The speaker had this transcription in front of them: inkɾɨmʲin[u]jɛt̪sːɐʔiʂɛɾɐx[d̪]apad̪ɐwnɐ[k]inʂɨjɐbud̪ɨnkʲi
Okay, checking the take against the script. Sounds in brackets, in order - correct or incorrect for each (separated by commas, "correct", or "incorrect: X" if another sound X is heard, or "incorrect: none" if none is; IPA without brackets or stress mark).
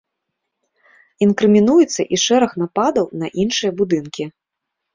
correct, incorrect: n̪, incorrect: ʔ